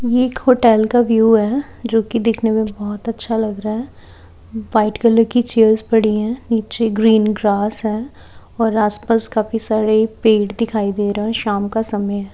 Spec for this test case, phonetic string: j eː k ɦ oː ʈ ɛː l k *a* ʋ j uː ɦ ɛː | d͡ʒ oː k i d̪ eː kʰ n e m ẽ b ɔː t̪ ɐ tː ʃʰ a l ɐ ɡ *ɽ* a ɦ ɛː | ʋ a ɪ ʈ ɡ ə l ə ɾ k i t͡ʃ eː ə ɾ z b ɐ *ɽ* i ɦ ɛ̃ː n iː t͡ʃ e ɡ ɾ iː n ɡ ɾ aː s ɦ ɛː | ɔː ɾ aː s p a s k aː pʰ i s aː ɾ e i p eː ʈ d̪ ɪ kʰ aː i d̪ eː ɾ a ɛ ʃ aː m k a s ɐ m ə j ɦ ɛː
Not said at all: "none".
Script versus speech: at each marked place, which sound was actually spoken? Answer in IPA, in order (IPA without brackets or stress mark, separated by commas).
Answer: a, ɾ, ɽ